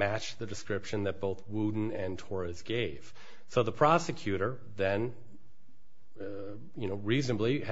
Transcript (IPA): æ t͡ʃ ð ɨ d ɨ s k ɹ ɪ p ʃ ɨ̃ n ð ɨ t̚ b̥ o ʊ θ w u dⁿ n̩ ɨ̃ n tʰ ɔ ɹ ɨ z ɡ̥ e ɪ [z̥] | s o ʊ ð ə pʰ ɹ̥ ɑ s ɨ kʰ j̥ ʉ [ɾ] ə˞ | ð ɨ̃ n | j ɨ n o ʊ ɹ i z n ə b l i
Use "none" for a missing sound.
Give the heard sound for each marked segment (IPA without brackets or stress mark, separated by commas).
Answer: v̥, ɾ